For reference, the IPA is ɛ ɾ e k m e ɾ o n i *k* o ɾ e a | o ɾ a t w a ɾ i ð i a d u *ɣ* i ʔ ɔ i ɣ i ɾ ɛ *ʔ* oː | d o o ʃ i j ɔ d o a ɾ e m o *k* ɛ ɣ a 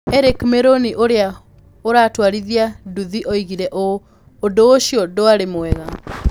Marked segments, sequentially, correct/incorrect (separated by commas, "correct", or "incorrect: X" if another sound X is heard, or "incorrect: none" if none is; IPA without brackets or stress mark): incorrect: ʔ, incorrect: ð, correct, incorrect: none